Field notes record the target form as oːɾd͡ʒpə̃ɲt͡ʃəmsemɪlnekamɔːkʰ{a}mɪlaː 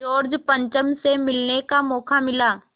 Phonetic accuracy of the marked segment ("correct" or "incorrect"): correct